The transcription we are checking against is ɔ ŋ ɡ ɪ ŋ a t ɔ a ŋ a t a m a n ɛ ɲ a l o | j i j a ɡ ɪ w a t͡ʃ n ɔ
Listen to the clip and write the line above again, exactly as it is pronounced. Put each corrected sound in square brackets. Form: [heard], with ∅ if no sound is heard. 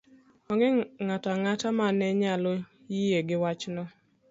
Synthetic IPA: ɔ ŋ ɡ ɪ ŋ a t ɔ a ŋ a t a m a n ɛ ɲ a l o | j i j [e] ɡ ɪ w a t͡ʃ n ɔ